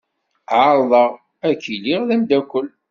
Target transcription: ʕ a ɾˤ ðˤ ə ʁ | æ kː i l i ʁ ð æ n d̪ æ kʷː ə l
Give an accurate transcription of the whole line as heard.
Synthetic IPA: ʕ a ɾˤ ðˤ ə ʁ | æ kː i l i ʁ ð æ m d̪ æ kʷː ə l